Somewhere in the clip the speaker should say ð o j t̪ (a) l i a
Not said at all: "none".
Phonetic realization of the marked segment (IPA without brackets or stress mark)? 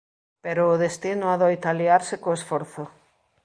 a